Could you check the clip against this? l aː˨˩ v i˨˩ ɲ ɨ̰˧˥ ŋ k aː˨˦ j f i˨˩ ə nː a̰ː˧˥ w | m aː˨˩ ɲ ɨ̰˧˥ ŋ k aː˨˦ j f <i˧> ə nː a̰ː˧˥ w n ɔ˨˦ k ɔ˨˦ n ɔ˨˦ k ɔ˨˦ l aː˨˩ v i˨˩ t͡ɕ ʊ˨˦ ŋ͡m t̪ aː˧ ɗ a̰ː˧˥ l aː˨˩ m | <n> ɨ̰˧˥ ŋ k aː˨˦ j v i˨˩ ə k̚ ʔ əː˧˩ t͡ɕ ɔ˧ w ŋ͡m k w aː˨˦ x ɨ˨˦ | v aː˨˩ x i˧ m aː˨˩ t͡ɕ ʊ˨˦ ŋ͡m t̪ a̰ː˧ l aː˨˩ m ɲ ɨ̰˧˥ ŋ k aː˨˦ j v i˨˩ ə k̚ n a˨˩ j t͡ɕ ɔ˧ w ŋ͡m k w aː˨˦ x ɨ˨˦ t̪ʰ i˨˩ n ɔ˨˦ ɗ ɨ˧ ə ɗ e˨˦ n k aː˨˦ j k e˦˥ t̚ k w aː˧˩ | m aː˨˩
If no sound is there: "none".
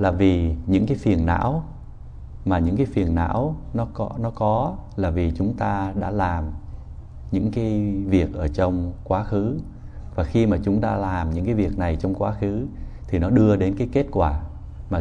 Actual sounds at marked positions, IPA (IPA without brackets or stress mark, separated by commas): i˨˩, ɲ